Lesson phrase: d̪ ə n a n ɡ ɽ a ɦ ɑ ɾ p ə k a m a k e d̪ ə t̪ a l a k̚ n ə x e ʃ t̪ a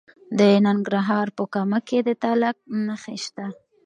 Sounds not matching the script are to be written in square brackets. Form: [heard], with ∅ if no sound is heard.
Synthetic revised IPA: d̪ ə n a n ɡ [ɾ] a ɦ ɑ ɾ p ə k a m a k e d̪ ə t̪ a l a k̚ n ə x e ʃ t̪ a